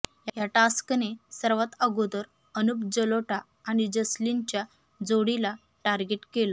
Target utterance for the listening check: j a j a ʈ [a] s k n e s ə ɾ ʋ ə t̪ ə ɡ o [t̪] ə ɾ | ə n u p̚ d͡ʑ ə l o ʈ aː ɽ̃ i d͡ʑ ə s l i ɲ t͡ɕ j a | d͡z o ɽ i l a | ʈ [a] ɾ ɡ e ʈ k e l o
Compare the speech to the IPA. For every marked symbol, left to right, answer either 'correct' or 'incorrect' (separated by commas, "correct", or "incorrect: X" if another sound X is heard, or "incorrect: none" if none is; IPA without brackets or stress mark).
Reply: correct, incorrect: d̪, correct